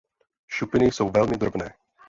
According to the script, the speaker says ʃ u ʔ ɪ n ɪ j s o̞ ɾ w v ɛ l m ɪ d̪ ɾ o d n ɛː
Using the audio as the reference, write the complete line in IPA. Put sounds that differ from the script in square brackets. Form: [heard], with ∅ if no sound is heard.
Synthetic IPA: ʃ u [p] ɪ n ɪ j s o̞ [∅] w v ɛ l m ɪ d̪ ɾ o [b] n ɛː